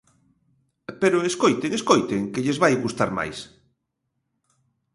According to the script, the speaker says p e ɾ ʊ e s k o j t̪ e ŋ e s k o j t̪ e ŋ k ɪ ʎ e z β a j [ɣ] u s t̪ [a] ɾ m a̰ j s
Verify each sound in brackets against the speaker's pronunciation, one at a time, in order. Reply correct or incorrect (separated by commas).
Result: correct, correct